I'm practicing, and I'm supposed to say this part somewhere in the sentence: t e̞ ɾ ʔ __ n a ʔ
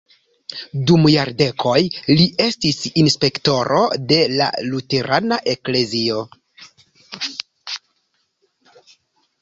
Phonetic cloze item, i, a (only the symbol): a